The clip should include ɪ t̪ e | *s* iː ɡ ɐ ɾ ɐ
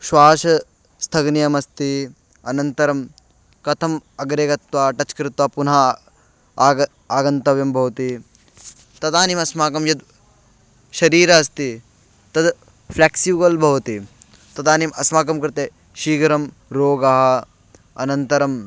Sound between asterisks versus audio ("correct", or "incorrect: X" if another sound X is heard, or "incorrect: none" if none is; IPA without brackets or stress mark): incorrect: ʃ